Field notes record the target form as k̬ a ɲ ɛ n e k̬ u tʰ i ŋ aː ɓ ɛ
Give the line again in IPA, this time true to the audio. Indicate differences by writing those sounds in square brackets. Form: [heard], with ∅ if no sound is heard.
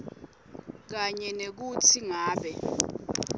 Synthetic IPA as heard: k̬ a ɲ ɛ n e k̬ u tʰ i ŋ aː ɓ ɛ